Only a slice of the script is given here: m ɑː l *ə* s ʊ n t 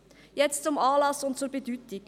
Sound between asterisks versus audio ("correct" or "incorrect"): incorrect